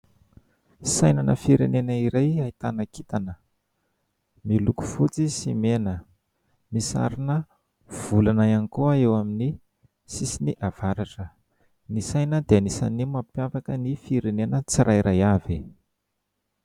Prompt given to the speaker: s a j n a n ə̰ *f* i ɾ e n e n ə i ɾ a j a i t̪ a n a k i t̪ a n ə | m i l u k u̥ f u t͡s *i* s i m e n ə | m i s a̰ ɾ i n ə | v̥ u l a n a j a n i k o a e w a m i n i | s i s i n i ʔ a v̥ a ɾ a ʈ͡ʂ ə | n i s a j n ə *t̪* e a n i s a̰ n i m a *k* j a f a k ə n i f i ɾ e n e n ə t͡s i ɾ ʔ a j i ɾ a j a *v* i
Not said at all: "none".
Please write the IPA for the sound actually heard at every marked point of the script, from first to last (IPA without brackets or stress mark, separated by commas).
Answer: f, i, d̪, p, v